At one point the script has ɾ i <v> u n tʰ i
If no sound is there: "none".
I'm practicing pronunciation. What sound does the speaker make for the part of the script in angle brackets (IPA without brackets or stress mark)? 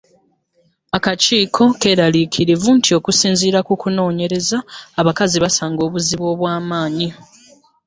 v